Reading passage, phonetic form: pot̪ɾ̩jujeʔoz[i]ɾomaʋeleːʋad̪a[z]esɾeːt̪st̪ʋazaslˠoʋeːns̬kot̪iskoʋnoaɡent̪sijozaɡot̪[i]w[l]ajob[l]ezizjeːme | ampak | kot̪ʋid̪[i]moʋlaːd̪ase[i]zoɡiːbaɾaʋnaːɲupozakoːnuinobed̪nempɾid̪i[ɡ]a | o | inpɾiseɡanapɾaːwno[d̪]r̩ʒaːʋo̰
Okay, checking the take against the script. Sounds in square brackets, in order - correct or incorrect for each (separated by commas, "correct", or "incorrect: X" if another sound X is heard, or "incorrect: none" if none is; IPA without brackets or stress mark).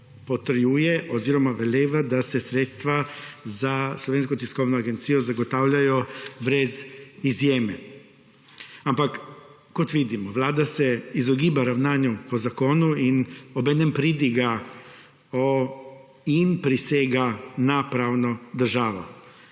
correct, incorrect: s, incorrect: a, incorrect: ʎ, incorrect: ɾ, correct, correct, correct, correct